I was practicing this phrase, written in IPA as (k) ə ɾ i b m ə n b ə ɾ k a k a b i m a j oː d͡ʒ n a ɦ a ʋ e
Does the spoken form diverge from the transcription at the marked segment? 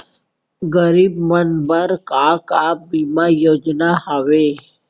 yes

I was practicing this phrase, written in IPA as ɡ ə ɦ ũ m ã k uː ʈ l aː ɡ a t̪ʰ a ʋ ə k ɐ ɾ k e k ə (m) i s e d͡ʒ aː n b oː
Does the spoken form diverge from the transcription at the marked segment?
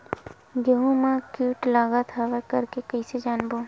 yes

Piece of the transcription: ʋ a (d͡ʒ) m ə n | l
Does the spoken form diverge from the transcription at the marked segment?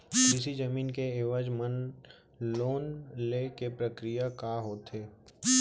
no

